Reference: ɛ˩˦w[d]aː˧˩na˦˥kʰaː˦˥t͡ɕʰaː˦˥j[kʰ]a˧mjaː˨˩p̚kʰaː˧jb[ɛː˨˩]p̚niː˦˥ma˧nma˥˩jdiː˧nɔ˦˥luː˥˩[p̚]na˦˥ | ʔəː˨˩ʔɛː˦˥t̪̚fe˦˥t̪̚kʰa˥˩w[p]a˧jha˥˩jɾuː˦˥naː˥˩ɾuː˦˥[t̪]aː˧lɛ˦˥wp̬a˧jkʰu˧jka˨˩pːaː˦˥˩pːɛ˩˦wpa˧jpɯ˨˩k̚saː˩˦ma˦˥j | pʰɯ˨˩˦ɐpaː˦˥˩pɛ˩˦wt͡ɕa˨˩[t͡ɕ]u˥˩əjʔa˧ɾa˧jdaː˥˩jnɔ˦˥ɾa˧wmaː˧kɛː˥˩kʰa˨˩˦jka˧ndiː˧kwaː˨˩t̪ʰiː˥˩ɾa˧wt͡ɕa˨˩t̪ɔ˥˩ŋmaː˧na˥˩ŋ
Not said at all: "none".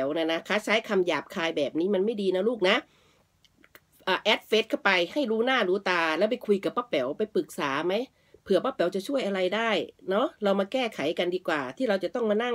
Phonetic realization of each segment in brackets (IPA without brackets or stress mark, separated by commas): n, kʰ, ɛː˨˩, k̚, p, t̪, t͡ɕʰ